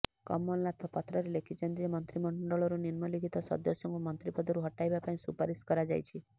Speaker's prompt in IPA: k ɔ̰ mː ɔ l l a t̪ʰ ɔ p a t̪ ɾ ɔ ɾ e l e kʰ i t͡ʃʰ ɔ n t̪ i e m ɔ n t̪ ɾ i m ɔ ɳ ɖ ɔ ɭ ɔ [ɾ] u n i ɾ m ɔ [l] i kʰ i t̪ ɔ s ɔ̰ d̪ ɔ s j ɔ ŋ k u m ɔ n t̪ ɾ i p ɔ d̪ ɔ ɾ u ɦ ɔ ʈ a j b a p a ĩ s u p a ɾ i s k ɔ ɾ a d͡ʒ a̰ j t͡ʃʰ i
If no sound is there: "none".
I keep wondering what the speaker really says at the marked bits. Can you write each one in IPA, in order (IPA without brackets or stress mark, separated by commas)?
ɾ, l